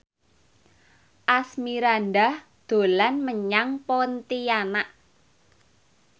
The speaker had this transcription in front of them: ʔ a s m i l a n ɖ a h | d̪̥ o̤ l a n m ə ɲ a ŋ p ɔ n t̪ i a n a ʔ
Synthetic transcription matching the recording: ʔ a s m i ɾ a n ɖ a h | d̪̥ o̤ l a n m ə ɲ a ŋ p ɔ n t̪ i a n a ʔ